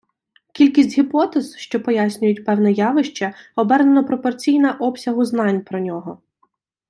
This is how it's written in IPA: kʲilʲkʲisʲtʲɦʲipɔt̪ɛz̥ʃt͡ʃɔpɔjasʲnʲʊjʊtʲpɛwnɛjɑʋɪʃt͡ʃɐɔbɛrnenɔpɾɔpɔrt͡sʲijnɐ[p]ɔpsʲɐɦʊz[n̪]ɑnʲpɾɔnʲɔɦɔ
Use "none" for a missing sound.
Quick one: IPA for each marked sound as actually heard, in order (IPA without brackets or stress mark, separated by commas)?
ʔ, n̪